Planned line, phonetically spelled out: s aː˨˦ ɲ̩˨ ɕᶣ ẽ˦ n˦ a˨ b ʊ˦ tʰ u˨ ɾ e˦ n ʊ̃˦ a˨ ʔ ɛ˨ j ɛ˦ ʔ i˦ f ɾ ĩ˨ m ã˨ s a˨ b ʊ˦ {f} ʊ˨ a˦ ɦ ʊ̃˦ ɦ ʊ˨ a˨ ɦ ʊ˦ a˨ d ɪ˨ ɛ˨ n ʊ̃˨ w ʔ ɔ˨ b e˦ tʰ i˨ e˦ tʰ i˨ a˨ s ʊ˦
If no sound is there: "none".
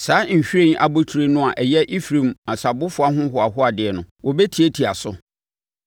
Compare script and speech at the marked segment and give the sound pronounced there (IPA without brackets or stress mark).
f